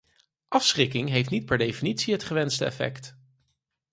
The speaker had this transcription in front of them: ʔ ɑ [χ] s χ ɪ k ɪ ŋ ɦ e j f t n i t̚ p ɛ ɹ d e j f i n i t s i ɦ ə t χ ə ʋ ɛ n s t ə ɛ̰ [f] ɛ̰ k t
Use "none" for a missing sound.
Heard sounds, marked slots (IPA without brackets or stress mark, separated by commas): f, f